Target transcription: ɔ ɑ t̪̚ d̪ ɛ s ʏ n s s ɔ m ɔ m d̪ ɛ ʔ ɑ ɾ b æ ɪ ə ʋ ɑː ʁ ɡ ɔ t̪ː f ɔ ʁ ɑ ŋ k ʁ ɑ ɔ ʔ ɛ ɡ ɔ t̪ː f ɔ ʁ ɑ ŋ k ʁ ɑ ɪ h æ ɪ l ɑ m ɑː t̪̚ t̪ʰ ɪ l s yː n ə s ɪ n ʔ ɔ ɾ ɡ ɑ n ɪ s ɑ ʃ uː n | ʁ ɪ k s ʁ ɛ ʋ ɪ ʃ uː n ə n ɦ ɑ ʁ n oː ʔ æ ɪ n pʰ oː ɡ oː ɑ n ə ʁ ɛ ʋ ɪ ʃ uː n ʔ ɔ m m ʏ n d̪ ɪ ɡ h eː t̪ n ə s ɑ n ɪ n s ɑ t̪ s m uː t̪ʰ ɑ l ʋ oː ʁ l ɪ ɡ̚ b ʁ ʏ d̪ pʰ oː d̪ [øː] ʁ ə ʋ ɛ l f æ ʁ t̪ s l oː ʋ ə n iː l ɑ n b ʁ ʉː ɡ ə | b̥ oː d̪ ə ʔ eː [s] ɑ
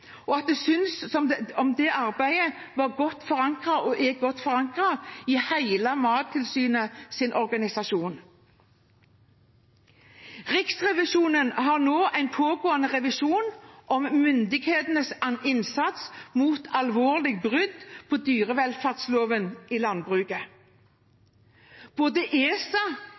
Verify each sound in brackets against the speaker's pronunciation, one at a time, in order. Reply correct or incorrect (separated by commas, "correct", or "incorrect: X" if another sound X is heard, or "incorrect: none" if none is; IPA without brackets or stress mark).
incorrect: yː, correct